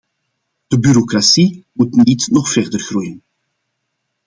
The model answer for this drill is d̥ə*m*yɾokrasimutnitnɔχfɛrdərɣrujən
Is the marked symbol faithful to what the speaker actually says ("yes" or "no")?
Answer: no